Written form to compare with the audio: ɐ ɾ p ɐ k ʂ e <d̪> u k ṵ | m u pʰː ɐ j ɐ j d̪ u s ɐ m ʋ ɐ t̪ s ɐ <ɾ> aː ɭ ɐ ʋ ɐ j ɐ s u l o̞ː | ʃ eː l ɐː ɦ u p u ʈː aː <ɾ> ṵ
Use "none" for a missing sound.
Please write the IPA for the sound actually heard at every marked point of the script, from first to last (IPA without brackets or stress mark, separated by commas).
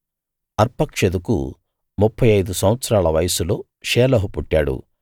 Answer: d̪, ɾ, ɽ